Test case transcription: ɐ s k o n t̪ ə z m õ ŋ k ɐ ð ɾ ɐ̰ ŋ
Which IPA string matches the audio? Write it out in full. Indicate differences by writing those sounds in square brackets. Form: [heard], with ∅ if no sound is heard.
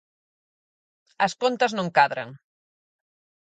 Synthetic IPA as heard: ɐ s k o n t̪ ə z [n] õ ŋ k [a] ð ɾ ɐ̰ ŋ